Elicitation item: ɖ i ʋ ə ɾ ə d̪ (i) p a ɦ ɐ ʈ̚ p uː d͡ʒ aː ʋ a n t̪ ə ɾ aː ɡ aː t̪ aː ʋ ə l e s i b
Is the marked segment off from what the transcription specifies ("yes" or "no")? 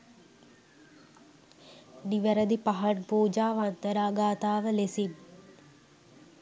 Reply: no